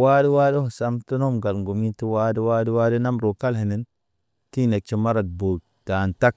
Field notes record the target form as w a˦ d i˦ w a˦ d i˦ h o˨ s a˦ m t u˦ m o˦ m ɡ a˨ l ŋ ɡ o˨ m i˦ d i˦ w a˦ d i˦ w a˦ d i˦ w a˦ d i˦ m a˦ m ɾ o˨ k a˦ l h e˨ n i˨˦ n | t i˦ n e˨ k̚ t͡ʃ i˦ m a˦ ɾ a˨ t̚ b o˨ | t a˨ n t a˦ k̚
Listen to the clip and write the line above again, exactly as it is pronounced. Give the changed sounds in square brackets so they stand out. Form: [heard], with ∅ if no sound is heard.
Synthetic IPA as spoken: w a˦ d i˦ w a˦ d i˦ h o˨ s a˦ m t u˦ [n] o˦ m ɡ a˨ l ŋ ɡ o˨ m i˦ [t] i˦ w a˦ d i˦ w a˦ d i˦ w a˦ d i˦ [n] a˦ m ɾ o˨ k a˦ l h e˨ n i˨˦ n | t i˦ n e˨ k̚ t͡ʃ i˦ m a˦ ɾ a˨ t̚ b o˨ | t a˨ n t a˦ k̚